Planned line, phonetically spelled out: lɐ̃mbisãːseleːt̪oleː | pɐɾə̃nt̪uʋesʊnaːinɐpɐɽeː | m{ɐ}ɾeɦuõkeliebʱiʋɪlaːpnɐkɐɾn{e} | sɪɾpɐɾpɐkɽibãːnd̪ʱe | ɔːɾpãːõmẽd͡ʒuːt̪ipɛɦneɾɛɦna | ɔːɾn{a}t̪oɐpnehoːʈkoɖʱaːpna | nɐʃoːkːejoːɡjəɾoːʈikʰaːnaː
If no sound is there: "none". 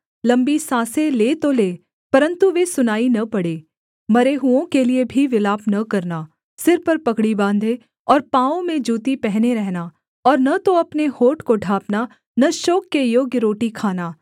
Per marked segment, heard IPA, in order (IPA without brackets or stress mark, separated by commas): ɐ, a, ɐ